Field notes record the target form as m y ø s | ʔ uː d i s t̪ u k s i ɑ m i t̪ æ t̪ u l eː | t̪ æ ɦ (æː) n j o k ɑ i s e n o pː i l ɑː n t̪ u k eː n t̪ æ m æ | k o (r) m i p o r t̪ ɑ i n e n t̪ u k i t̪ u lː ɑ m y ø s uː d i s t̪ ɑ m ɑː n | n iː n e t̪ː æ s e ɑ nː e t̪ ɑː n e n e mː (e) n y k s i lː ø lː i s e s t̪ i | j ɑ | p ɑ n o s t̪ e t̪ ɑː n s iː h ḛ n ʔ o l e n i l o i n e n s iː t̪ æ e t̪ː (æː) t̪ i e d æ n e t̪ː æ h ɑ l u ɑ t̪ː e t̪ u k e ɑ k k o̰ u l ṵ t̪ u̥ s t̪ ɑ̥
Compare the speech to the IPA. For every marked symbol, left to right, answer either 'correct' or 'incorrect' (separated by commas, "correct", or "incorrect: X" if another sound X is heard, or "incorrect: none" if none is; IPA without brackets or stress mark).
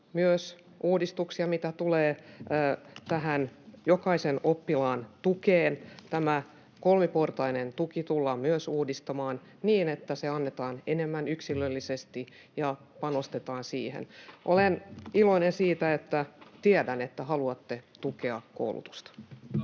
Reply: incorrect: æ, incorrect: l, incorrect: æ, incorrect: æ